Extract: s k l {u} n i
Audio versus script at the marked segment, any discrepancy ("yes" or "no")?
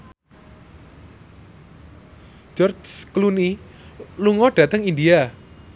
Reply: no